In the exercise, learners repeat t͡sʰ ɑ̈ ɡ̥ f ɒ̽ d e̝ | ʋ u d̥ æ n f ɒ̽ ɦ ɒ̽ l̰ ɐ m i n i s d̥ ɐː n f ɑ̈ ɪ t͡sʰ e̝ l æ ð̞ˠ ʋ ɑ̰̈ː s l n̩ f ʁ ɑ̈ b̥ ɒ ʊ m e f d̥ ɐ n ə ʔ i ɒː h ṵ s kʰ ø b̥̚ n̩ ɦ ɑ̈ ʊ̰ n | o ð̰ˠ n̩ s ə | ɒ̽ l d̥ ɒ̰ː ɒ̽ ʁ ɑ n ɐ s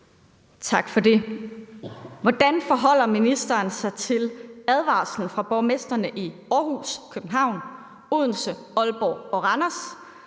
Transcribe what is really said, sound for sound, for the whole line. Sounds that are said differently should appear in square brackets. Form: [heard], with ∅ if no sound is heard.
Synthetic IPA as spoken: t͡sʰ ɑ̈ ɡ̥ f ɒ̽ d e̝ | ʋ [ɒ] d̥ æ n f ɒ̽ ɦ ɒ̽ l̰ ɐ m i n i s d̥ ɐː n [s] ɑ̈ ɪ t͡sʰ e̝ l æ ð̞ˠ ʋ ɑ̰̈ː s l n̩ f ʁ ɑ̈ b̥ ɒ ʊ m e [s] d̥ ɐ n ə ʔ i ɒː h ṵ s kʰ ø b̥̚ n̩ ɦ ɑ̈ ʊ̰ n | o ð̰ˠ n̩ s ə | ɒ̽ l [b̥] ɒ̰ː ɒ̽ ʁ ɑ n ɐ s

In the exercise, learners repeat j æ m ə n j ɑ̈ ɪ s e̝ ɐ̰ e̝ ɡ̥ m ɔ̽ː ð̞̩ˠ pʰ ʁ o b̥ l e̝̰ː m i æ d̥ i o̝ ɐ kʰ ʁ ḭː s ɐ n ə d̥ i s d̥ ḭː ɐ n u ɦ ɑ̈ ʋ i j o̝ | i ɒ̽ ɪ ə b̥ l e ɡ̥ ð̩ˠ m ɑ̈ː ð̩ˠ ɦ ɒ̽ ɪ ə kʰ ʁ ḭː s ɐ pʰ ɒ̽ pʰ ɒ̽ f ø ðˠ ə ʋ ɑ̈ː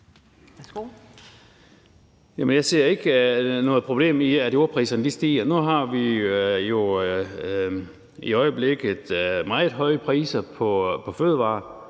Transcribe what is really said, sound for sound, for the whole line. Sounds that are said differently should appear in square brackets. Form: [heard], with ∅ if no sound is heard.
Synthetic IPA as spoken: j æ m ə n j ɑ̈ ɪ s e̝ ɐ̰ e̝ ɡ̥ [n] ɔ̽ː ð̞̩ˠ pʰ ʁ o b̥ l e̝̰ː m i æ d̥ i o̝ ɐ [pʰ] ʁ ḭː s ɐ n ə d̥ i s d̥ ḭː ɐ n u ɦ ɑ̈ ʋ i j o̝ | i ɒ̽ ɪ ə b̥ l e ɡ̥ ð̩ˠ m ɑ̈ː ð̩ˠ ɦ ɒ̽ ɪ ə [pʰ] ʁ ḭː s ɐ pʰ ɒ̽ pʰ ɒ̽ f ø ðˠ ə ʋ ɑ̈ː

